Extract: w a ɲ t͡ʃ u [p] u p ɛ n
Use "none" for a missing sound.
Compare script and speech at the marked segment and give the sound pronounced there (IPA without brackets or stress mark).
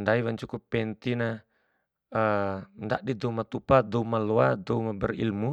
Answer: k